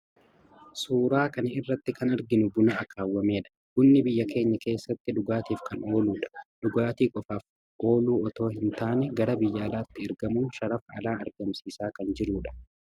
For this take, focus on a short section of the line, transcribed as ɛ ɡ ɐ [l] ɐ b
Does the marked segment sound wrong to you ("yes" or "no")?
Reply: yes